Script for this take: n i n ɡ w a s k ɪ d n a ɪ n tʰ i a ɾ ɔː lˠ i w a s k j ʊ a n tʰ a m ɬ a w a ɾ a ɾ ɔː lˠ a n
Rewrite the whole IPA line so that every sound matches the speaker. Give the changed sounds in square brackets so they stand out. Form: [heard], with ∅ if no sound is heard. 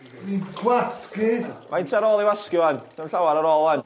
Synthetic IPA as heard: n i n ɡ w a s k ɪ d [m] a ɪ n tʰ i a ɾ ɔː lˠ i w a s k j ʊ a n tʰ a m ɬ a w a ɾ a ɾ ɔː lˠ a n